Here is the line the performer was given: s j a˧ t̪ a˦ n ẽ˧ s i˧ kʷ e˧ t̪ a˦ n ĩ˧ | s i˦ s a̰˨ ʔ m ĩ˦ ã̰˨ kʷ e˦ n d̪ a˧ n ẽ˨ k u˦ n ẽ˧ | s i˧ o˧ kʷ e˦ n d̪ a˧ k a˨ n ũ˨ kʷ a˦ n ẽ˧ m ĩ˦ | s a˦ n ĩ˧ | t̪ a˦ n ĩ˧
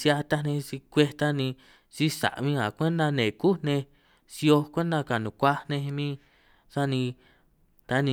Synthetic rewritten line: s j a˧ t̪ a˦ n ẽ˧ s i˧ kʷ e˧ t̪ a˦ n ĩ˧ | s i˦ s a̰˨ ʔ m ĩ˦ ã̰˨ kʷ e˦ n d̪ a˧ n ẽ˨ k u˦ n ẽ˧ | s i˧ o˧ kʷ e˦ n d̪ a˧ k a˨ n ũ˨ kʷ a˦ n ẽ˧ m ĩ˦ | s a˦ n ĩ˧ | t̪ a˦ n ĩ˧